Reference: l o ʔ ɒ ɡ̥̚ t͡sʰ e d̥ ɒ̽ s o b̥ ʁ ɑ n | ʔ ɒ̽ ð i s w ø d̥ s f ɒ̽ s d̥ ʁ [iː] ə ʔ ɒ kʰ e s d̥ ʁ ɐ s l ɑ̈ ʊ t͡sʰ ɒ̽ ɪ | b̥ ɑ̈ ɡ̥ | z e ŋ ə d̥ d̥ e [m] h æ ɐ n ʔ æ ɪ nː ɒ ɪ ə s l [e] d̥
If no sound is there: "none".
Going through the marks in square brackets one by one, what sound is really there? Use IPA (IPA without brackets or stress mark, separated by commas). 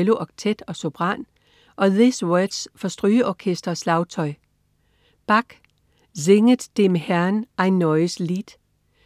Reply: yː, m, i